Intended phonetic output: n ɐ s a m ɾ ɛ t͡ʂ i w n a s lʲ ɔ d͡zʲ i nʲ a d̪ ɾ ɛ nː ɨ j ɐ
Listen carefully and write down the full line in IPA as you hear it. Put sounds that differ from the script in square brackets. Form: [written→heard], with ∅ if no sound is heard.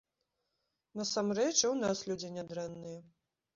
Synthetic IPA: n ɐ s a m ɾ ɛ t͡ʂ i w n a s lʲ [ɔ→u] d͡zʲ i nʲ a d̪ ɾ ɛ nː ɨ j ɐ